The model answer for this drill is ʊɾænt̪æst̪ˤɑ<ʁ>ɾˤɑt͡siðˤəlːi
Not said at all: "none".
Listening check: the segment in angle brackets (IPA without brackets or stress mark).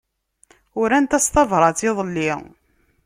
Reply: v